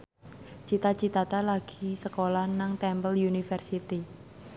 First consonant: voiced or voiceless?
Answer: voiceless